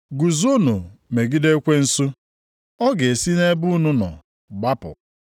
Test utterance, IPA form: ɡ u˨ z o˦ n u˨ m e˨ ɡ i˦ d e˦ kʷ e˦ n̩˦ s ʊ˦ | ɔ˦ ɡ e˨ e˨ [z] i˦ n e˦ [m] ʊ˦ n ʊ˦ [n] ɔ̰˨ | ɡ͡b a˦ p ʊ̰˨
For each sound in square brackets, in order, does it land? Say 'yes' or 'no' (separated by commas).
no, no, yes